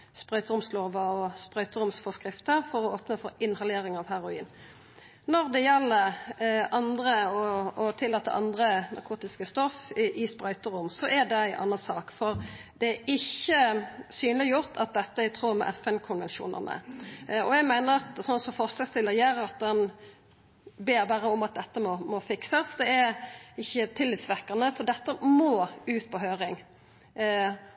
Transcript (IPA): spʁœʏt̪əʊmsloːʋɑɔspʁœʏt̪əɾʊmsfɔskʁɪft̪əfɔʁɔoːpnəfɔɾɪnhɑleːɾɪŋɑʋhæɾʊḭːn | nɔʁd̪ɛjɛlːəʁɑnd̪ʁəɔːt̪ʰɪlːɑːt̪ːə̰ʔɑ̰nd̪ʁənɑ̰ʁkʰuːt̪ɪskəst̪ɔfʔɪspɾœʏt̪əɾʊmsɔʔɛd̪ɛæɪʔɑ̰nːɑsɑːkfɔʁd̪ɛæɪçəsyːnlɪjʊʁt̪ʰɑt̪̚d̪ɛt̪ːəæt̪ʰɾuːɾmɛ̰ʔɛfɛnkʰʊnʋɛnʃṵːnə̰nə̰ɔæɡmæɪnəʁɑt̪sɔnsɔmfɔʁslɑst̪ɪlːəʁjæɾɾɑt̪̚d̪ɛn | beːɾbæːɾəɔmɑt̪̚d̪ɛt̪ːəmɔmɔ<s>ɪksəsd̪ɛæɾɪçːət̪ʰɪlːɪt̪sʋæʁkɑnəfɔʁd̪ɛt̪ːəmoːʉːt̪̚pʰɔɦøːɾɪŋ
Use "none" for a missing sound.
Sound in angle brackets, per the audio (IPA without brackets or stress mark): f